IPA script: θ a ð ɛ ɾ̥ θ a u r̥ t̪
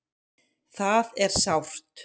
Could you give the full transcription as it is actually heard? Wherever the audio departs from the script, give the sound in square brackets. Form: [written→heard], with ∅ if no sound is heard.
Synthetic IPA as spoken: θ a ð ɛ ɾ̥ [θ→s] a [u→w] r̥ t̪